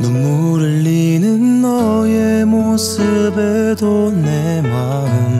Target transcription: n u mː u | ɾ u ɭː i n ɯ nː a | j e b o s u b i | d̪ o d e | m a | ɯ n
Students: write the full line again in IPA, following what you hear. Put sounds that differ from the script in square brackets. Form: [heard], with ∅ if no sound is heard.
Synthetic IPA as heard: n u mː u | ɾ [ɯ] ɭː i n ɯ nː [ʌ] | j e [m] o s [ɯ] b [e] | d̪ o [n] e | m a | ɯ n